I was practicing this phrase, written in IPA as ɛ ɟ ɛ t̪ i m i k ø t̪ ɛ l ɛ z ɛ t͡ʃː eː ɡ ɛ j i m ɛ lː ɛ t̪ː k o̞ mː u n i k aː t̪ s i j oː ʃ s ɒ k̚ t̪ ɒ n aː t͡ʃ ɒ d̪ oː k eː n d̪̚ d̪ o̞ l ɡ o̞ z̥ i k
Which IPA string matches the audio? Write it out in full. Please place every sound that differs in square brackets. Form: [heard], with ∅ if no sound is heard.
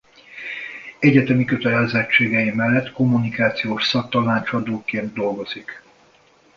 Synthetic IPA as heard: ɛ ɟ ɛ t̪ [ɛ] m i k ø t̪ ɛ l ɛ z ɛ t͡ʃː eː ɡ ɛ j i m ɛ lː ɛ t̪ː k o̞ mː u n i k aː t̪ s i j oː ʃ s ɒ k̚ t̪ ɒ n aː t͡ʃ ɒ d̪ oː k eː n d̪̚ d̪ o̞ l ɡ o̞ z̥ i k